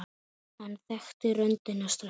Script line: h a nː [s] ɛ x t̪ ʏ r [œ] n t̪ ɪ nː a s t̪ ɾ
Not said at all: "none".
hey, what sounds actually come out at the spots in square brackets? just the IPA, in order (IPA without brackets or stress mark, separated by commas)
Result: θ, œ